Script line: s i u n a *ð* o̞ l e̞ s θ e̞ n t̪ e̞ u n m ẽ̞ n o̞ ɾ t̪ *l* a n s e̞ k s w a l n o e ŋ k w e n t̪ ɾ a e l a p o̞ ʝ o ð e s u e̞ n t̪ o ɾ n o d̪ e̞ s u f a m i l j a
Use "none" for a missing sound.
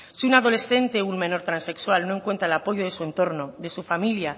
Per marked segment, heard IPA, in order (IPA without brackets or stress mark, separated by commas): ð, ɾ